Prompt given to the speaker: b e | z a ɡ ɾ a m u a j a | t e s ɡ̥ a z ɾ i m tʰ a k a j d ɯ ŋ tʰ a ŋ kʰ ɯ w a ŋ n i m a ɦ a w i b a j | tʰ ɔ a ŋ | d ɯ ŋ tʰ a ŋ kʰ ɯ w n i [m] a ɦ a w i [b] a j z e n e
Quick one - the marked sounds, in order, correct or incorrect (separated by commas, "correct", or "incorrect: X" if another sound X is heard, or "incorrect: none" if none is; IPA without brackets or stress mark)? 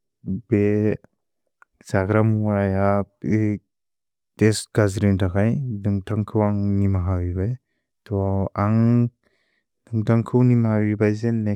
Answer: correct, correct